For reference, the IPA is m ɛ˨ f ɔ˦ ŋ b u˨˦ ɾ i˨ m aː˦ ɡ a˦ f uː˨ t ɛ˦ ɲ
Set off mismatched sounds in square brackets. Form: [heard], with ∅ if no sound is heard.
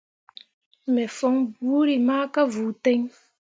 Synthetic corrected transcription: m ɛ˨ f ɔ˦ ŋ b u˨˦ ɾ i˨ m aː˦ [k] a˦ [v] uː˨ t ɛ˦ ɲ